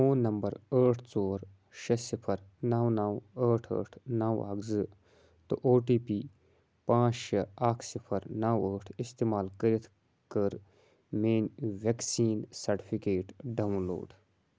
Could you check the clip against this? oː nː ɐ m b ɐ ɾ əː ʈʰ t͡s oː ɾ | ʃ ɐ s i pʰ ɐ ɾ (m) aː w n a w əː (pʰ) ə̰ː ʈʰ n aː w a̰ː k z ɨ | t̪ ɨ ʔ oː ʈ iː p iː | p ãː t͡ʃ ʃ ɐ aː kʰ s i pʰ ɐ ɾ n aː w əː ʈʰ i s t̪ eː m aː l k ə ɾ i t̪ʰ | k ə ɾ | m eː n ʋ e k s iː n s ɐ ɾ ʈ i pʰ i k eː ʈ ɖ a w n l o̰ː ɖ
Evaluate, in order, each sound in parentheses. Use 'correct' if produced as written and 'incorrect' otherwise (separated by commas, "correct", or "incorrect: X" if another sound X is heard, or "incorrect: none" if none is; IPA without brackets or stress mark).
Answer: incorrect: n, incorrect: ʈʰ